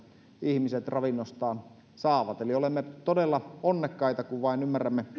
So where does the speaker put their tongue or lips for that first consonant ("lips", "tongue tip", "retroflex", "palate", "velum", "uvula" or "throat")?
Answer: throat